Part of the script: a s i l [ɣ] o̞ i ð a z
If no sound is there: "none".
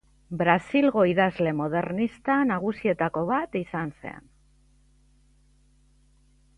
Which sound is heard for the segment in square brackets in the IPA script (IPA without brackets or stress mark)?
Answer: ɣ